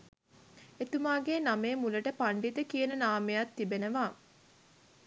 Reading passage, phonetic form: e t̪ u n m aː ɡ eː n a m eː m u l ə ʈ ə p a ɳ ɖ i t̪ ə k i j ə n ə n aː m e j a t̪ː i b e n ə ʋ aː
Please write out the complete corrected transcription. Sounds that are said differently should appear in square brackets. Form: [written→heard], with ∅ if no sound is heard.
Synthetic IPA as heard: e t̪ u [n→∅] m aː ɡ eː n a m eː m u l ə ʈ ə p a ɳ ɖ i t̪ ə k i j ə n ə n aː m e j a t̪ː i b e n ə ʋ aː